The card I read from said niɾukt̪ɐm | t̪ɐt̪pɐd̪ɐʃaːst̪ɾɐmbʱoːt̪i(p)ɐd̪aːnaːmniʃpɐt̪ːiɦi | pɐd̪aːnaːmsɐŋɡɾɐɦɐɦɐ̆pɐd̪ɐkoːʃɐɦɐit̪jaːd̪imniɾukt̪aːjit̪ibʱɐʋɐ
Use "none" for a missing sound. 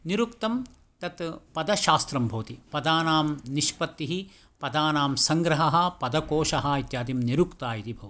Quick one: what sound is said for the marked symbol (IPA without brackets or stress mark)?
p